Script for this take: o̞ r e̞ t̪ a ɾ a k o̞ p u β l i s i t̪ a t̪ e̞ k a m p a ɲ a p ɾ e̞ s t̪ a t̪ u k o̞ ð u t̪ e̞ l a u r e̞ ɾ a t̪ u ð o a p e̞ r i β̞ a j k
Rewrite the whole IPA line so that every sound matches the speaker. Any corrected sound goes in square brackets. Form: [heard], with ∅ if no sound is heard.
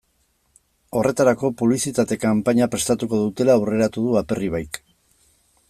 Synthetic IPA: o̞ r e̞ t̪ a ɾ a k o̞ p u β l i s i t̪ a t̪ e̞ k a m p a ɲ a p ɾ e̞ s t̪ a t̪ u k o̞ ð u t̪ e̞ l a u r e̞ ɾ a t̪ u ð [u] a p e̞ r i β̞ a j k

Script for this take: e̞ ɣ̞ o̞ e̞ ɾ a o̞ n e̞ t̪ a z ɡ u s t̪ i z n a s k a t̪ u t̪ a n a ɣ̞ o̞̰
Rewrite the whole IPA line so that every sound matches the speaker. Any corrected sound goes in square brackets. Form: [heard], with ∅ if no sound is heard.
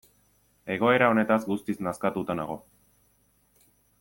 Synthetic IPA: e̞ ɣ̞ o̞ e̞ ɾ a o̞ n e̞ t̪ a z ɡ u s t̪ i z n a s k a t̪ u t̪ a n a ɣ̞ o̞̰

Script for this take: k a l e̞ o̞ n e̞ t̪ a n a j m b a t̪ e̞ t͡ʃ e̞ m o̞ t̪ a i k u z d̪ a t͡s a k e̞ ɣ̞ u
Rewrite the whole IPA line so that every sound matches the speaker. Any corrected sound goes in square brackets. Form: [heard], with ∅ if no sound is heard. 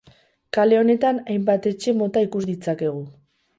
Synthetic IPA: k a l e̞ o̞ n e̞ t̪ a n a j m b a t̪ e̞ t͡ʃ e̞ m o̞ t̪ a i k u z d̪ [i] t͡s a k e̞ ɣ̞ u

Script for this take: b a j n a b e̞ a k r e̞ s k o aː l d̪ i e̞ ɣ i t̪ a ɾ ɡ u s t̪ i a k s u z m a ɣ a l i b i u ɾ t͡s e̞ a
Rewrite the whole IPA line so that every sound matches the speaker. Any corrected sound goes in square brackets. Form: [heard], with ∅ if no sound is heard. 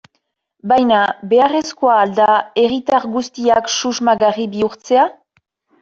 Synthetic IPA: b a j n a b e̞ a [∅] r e̞ s k o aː l d̪ [a] e̞ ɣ i t̪ a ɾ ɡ u s t̪ i a k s u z m a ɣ a [r] i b i u ɾ t͡s e̞ a

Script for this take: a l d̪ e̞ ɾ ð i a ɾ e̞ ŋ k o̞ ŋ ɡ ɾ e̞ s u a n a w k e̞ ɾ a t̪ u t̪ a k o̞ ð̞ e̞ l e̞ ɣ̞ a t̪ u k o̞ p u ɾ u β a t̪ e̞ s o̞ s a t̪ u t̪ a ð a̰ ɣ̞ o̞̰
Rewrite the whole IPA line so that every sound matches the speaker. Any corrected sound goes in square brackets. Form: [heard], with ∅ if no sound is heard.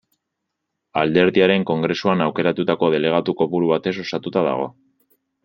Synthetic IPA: a l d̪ e̞ ɾ ð i a ɾ e̞ ŋ k o̞ ŋ ɡ ɾ e̞ s u a n a w k e̞ ɾ a t̪ u t̪ a k o̞ ð̞ e̞ l e̞ ɣ̞ a t̪ u k o̞ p u ɾ u β a t̪ e̞ s o̞ s a t̪ u t̪ a ð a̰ ɣ̞ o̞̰

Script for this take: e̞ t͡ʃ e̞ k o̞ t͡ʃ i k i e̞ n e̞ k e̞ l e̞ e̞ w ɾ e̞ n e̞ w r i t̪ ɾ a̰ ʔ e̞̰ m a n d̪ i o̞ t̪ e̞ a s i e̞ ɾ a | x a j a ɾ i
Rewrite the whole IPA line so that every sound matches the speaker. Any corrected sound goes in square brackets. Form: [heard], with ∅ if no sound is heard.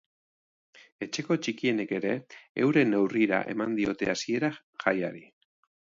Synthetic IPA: e̞ t͡ʃ e̞ k o̞ t͡ʃ i k i e̞ n e̞ k e̞ [ɾ] e̞ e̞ w ɾ e̞ n e̞ w r i [∅] ɾ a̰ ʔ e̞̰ m a n d̪ i o̞ t̪ e̞ a s i e̞ ɾ a | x a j a ɾ i

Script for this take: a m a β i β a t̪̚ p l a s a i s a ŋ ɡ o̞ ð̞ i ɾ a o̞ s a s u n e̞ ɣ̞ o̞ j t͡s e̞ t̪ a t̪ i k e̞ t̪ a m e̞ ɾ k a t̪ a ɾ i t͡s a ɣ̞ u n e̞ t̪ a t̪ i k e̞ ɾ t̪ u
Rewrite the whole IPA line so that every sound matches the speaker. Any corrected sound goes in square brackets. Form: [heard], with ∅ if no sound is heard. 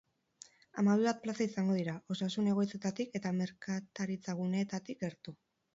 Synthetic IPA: a m a β i β a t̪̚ p l a s a i s a ŋ ɡ o̞ ð̞ i ɾ a o̞ s a s u n e̞ ɣ̞ o̞ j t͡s e̞ t̪ a t̪ i k e̞ t̪ a m e̞ ɾ k a t̪ a ɾ i t͡s a ɣ̞ u n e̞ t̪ a t̪ i k e̞ ɾ t̪ u

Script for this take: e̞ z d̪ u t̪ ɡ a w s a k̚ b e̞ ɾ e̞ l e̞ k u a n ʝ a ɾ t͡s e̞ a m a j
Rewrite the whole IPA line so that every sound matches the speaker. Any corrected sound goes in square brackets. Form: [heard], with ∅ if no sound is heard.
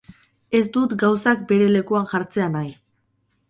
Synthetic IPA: e̞ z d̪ u t̪ ɡ a w s a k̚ b e̞ ɾ e̞ l e̞ k u a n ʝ a ɾ t͡s e̞ a [n] a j

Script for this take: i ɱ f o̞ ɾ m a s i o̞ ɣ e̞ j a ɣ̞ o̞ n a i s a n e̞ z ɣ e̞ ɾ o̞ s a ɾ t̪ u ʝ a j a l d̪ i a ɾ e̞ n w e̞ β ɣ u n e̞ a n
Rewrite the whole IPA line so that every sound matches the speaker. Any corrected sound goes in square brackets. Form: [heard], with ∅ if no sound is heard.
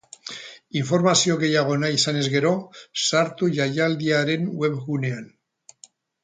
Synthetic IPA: i ɱ f o̞ ɾ m a s i o̞ ɣ e̞ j a ɣ̞ o̞ n a i s a n e̞ z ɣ e̞ ɾ o̞ s a ɾ t̪ u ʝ a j a l d̪ i a ɾ e̞ n w e̞ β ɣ u n e̞ a n

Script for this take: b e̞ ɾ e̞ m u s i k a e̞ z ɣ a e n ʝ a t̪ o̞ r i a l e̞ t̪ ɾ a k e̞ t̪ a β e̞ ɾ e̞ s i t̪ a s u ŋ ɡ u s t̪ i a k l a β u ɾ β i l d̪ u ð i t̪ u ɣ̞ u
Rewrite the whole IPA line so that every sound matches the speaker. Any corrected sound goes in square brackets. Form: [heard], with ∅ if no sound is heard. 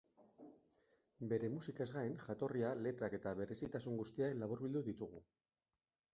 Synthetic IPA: b e̞ ɾ e̞ m u s i k a e̞ z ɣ a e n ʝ a t̪ o̞ r i a l e̞ t̪ ɾ a k e̞ t̪ a β e̞ ɾ e̞ s i t̪ a s u ŋ ɡ u s t̪ i a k l a β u ɾ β i l d̪ u ð i t̪ u ɣ̞ u

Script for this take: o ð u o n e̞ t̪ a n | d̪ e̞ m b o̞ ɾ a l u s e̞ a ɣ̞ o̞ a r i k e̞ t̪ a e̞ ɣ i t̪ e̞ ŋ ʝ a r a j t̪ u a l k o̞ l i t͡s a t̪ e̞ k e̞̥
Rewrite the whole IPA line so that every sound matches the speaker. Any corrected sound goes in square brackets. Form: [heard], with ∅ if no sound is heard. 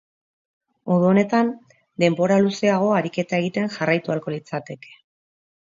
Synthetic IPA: o ð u o n e̞ t̪ a n | d̪ e̞ m b o̞ ɾ a l u s e̞ a ɣ̞ o̞ a [ɾ] i k e̞ t̪ a e̞ ɣ i t̪ e̞ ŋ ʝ a r a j t̪ u a l k o̞ l i t͡s a t̪ e̞ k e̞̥

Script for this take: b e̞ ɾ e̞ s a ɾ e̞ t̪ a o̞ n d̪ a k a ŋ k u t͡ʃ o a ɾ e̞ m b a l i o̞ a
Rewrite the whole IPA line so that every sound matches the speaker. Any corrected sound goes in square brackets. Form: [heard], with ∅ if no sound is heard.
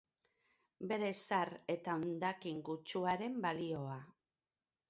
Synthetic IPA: b e̞ ɾ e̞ s a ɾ e̞ t̪ a o̞ n d̪ a k [i] ŋ [ɡ] u t͡ʃ [u] a ɾ e̞ m b a l i o̞ a

